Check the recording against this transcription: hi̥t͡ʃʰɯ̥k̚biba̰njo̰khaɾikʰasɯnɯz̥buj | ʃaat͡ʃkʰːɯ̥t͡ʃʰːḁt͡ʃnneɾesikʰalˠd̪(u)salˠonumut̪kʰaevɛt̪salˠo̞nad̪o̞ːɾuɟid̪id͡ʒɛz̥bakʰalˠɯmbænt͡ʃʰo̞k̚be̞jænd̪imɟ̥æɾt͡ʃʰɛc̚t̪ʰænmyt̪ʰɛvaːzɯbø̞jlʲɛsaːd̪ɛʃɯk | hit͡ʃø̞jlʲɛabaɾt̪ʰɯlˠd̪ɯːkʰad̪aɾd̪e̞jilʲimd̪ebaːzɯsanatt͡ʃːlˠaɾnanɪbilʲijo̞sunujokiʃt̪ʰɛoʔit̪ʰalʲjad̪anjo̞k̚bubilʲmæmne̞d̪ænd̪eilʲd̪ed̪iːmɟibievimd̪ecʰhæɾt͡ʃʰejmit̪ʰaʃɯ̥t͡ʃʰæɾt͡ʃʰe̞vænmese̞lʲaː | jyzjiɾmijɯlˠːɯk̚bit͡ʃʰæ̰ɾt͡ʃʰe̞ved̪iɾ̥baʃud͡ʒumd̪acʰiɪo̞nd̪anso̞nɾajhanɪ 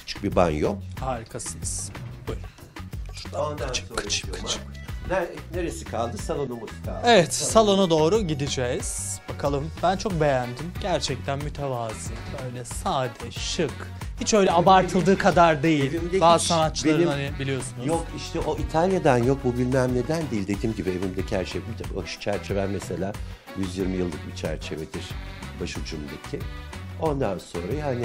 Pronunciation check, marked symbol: incorrect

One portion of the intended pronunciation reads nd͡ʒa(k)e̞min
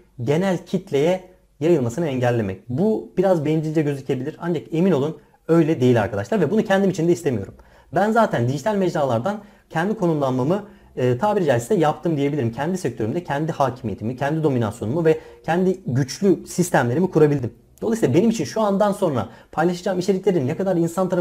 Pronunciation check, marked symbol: correct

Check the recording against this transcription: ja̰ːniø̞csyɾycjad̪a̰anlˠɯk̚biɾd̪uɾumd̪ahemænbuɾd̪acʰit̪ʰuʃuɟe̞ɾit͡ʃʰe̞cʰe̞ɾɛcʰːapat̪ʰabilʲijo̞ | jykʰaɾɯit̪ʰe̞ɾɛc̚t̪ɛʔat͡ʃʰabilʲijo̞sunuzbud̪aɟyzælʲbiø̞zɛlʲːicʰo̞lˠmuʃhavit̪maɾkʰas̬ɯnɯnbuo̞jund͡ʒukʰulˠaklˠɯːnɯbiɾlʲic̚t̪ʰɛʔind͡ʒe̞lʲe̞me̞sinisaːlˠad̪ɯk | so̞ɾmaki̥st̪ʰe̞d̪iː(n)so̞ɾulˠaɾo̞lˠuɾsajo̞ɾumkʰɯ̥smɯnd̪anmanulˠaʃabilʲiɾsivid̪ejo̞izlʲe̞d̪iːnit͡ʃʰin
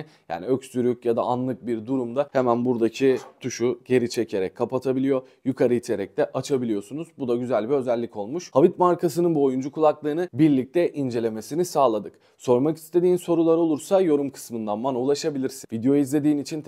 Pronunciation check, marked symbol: correct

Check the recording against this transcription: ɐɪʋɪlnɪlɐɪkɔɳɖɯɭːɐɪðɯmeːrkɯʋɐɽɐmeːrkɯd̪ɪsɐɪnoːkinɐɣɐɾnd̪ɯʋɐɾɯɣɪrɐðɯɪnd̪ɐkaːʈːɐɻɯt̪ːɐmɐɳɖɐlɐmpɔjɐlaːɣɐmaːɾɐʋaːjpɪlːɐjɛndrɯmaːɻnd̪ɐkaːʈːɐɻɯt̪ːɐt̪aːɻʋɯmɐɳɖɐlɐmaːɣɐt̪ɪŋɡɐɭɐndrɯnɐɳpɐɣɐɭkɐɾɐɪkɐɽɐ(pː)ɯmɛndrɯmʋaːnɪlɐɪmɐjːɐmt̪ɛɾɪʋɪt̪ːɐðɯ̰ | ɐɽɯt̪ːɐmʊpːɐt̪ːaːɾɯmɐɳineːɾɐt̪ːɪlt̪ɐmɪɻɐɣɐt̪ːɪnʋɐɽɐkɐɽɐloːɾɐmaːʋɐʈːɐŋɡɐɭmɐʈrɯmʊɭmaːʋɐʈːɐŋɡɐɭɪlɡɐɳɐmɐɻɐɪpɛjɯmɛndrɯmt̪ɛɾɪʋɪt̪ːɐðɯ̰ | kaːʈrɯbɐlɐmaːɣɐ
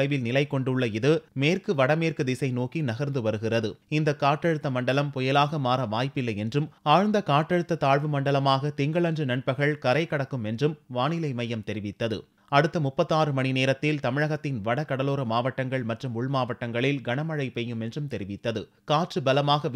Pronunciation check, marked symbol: incorrect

